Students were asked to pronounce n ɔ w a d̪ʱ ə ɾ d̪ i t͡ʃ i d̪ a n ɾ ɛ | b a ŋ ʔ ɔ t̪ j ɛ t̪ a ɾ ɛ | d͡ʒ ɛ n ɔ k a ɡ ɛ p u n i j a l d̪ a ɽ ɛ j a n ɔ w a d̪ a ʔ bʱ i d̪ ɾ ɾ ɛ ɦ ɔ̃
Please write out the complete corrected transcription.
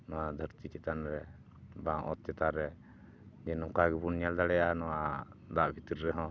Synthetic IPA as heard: n ɔ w a d̪ʱ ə ɾ t̪ i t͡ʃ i t̪ a n ɾ ɛ | b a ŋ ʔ ɔ t̪ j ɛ t̪ a ɾ ɛ | d͡ʒ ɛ n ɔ k a ɡ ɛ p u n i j a l d̪ a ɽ ɛ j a n ɔ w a d̪ a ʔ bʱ i t̪ ɾ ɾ ɛ ɦ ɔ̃